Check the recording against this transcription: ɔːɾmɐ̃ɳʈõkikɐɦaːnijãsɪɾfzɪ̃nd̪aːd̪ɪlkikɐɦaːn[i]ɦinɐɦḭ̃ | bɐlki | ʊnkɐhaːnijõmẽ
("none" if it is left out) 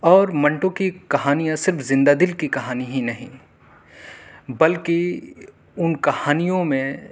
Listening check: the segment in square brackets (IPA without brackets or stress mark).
i